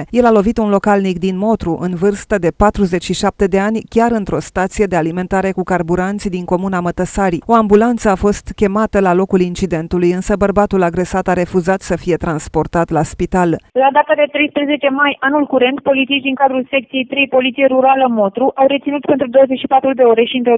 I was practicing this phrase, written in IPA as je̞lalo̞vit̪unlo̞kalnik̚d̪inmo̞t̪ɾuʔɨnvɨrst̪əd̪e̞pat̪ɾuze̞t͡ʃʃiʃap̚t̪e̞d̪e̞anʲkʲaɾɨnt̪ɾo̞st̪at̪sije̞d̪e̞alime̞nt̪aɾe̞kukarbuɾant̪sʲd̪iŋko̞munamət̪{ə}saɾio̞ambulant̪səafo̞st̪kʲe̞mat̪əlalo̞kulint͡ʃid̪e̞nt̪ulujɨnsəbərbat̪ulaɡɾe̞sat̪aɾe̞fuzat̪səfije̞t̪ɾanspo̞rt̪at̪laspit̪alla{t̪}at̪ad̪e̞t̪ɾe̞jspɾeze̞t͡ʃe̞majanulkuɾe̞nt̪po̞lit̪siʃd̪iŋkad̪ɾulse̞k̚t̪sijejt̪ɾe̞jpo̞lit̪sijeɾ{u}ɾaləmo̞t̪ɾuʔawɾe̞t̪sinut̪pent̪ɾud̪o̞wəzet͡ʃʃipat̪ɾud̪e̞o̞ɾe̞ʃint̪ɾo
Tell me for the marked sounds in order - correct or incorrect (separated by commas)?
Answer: correct, incorrect, correct